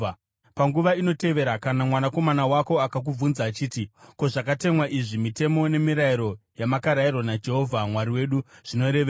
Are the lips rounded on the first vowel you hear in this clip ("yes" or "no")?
no